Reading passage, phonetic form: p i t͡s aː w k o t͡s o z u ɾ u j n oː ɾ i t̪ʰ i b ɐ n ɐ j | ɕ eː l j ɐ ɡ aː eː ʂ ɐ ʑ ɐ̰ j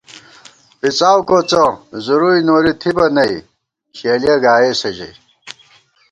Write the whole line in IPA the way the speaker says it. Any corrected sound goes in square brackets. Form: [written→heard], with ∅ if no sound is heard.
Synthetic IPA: p i t͡s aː w k o t͡s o z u ɾ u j n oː ɾ i t̪ʰ i b ɐ n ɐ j | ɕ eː l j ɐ ɡ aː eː [ʂ→s] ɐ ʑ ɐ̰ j